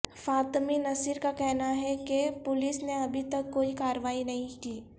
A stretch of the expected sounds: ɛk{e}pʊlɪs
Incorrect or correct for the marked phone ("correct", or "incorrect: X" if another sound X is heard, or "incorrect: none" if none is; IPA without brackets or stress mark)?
correct